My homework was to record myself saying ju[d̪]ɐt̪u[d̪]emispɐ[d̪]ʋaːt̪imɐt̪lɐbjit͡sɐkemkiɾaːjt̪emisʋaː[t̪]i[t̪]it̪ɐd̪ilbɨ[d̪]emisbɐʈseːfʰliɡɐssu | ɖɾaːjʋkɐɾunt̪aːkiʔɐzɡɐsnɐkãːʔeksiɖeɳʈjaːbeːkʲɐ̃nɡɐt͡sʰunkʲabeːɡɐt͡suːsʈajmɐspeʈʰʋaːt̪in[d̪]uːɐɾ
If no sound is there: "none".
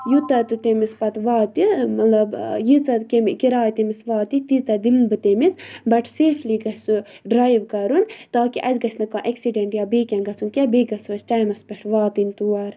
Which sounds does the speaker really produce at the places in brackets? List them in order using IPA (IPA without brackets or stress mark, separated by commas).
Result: t̪, t̪, t̪, t̪, t̪, t̪, t̪